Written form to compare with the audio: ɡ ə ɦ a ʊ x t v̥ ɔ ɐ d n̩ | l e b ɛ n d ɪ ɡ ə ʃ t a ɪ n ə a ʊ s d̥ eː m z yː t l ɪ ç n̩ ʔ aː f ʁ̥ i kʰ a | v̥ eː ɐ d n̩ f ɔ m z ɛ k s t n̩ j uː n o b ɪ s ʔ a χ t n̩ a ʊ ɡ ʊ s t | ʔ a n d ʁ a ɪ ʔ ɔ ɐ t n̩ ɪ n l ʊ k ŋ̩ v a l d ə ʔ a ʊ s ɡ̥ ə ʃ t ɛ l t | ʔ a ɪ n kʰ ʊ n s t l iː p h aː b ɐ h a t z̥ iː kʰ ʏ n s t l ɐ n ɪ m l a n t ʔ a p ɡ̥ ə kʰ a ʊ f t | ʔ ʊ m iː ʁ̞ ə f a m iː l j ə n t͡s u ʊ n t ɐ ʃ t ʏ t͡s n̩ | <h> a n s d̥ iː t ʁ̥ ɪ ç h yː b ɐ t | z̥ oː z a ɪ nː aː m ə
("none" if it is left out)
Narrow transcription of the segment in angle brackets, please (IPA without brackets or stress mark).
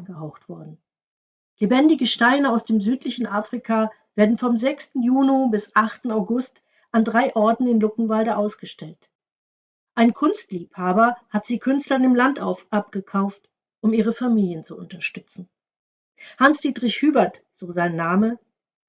h